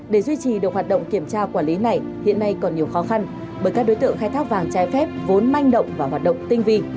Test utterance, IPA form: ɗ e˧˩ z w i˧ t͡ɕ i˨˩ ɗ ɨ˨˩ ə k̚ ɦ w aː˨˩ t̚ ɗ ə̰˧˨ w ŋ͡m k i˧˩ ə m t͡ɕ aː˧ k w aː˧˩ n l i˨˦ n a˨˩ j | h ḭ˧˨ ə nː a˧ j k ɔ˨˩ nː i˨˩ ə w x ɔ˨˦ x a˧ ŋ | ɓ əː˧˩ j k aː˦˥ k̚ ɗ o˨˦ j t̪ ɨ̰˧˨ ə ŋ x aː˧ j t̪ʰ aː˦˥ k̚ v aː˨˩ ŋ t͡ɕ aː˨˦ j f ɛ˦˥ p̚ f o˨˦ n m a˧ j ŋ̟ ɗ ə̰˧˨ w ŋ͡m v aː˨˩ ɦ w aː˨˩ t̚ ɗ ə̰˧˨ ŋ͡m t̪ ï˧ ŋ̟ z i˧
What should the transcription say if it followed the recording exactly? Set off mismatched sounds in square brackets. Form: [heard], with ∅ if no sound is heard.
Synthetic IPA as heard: ɗ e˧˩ z w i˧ t͡ɕ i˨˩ ɗ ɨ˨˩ ə k̚ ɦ w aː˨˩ t̚ ɗ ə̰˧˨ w ŋ͡m k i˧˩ ə m t͡ɕ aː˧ k w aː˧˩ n l i˨˦ n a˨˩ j | h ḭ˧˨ ə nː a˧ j k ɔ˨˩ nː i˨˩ ə w x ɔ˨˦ x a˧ [n] | ɓ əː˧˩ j k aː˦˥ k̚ ɗ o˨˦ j t̪ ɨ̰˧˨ ə ŋ x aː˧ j t̪ʰ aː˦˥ k̚ v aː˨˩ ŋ t͡ɕ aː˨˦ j f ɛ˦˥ p̚ [v] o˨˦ n m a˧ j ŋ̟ ɗ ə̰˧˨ w ŋ͡m v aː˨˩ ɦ w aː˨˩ t̚ ɗ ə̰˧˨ ŋ͡m t̪ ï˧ ŋ̟ [v] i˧